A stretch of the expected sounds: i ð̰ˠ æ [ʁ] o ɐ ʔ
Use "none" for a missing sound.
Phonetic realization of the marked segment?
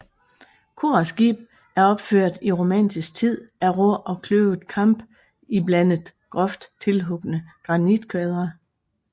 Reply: ʁ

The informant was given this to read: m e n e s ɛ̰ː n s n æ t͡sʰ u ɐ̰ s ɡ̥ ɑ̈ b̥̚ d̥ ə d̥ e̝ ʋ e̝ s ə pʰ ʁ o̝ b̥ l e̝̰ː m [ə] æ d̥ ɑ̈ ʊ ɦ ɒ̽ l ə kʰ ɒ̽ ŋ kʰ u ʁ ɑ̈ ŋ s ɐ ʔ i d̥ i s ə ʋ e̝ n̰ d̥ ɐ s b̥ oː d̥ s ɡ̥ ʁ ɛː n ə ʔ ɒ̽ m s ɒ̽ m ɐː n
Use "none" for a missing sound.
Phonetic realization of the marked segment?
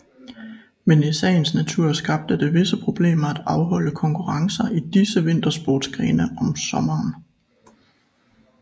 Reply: ɐ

